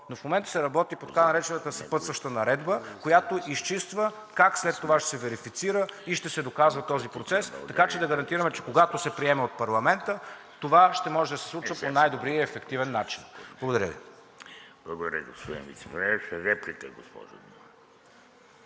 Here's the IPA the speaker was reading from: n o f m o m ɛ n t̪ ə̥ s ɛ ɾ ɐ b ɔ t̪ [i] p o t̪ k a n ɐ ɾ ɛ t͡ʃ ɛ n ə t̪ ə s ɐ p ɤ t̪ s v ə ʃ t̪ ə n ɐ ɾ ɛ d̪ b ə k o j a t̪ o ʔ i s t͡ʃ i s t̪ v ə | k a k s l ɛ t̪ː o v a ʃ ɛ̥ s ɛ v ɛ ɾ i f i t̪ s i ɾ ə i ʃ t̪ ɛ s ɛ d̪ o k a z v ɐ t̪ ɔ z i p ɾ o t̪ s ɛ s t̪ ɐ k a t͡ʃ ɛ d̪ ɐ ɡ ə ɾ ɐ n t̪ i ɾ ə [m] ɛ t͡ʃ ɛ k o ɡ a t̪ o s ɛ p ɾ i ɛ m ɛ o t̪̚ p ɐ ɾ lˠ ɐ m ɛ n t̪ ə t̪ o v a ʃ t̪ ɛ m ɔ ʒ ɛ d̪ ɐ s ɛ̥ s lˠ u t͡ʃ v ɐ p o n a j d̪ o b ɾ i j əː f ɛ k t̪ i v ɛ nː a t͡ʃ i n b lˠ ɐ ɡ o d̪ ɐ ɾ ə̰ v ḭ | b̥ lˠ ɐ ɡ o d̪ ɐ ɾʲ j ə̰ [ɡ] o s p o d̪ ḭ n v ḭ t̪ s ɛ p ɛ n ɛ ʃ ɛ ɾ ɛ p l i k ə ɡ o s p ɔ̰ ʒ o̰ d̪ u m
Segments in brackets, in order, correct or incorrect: correct, correct, correct

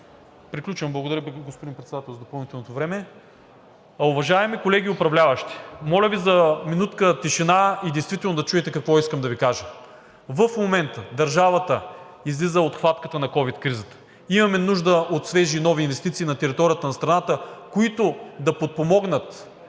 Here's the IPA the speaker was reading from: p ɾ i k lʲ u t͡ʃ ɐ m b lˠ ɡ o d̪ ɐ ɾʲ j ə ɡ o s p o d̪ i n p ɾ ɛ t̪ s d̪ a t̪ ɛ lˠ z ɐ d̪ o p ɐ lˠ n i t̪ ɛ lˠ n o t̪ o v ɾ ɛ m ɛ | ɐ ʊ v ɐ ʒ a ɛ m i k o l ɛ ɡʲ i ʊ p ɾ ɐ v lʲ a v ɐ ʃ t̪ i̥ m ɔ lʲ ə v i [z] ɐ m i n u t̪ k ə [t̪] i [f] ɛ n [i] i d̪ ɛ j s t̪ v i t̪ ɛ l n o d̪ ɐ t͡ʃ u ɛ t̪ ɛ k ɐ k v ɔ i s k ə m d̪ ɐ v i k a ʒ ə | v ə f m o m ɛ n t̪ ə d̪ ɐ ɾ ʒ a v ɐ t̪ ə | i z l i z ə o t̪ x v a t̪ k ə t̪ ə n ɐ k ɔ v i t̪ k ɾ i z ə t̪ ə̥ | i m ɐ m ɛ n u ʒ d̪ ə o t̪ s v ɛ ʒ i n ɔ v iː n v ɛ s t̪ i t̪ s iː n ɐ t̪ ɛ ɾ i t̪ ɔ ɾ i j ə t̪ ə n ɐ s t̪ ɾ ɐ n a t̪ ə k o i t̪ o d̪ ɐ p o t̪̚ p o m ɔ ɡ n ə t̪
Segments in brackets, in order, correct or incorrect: correct, correct, incorrect: ʃ, incorrect: a

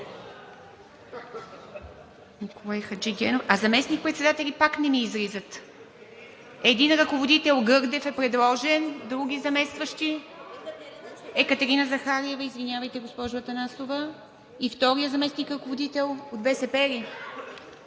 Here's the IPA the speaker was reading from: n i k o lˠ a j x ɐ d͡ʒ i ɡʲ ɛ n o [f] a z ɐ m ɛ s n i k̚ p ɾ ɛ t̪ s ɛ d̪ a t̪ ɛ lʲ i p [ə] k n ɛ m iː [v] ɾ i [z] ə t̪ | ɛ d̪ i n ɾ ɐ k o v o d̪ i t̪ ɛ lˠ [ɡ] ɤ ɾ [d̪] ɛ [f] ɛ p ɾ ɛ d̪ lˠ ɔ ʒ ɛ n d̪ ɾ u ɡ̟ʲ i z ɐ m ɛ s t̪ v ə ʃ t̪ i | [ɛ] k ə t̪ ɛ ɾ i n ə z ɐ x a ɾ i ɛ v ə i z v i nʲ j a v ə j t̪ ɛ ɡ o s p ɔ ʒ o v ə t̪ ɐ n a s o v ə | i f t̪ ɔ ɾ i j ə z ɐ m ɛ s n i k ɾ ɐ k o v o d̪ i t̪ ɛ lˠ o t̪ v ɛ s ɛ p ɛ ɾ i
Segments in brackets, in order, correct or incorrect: correct, incorrect: a, incorrect: z, correct, correct, correct, correct, correct

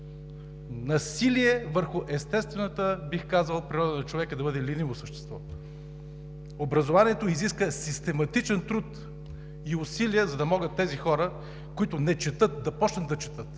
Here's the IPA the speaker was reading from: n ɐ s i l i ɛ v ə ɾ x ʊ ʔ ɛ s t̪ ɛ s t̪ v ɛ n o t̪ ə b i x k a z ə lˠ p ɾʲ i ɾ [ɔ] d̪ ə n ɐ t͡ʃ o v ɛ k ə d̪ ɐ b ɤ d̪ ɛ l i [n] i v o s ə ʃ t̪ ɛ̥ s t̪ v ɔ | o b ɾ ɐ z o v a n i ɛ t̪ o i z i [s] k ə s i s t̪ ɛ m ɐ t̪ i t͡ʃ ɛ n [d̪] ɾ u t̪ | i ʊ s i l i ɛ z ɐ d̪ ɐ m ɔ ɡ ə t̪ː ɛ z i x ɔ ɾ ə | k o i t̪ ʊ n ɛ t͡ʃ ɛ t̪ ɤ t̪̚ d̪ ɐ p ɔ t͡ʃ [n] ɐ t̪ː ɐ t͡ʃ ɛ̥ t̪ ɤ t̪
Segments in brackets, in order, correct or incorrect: correct, correct, correct, incorrect: t̪, correct

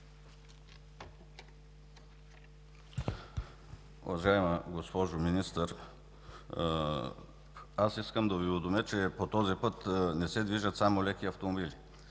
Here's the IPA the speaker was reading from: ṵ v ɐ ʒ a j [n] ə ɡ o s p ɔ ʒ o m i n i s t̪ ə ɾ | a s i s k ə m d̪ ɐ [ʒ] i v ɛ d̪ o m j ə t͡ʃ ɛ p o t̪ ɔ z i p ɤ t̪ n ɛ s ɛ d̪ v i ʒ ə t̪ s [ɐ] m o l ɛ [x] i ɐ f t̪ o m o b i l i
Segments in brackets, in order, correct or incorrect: incorrect: m, incorrect: v, incorrect: a, incorrect: k

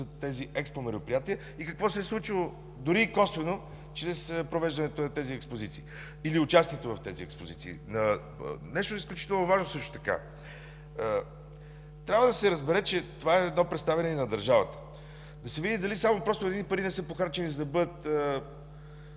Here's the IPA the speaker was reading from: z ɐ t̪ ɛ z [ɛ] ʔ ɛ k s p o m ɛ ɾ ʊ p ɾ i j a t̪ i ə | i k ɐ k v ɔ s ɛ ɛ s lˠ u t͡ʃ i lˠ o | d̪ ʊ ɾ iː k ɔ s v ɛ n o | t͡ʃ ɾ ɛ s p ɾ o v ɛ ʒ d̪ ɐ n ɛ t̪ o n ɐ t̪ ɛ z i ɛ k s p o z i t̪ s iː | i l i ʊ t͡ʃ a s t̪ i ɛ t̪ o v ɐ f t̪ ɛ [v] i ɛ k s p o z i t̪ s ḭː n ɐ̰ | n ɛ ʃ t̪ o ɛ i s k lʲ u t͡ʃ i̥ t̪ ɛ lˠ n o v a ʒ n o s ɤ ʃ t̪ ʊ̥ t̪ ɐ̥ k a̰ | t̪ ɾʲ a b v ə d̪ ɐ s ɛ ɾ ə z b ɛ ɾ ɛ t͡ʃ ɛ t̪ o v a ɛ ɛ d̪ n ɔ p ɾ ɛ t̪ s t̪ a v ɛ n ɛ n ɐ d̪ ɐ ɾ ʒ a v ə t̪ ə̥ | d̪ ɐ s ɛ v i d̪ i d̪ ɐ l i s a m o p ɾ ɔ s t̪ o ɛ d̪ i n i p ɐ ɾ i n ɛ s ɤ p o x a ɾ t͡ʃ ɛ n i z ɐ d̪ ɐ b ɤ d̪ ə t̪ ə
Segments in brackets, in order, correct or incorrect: incorrect: i, incorrect: z

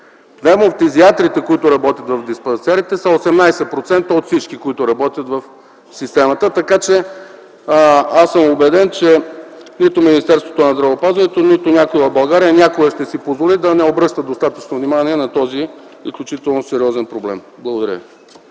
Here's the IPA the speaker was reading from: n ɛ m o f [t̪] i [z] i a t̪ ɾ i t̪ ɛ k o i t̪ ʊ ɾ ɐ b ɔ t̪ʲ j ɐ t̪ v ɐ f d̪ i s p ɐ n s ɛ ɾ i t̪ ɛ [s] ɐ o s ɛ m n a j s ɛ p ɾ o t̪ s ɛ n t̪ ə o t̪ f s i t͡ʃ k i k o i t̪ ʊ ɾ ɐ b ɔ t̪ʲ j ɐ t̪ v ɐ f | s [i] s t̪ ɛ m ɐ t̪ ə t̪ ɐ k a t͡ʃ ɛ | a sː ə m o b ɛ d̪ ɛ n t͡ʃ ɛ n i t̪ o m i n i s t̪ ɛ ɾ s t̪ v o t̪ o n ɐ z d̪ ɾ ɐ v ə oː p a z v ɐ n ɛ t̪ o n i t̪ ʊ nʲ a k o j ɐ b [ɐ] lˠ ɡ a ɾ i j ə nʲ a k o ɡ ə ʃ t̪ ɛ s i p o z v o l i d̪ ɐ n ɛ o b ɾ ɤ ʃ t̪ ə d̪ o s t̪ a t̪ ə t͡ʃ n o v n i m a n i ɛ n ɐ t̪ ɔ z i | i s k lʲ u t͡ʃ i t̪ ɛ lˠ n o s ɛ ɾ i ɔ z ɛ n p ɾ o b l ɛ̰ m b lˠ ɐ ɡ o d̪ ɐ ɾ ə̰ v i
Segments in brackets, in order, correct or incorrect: correct, correct, correct, correct, correct

